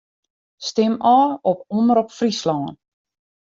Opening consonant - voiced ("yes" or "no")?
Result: no